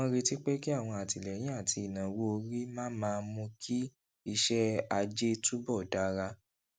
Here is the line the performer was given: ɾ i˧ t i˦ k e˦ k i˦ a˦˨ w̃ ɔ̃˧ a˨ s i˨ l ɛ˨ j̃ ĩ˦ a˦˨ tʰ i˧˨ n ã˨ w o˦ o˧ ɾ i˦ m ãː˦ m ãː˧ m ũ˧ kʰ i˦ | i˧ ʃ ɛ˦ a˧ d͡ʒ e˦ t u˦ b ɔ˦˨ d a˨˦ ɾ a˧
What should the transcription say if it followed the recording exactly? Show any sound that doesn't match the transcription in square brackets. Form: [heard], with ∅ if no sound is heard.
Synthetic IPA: ɾ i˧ t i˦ [k͡p] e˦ k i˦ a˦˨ w̃ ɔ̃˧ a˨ [t] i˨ l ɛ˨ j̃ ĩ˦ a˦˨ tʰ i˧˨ n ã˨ w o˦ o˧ ɾ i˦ m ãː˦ m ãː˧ m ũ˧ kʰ i˦ | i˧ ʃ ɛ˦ a˧ d͡ʒ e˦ t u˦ b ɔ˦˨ d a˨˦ ɾ a˧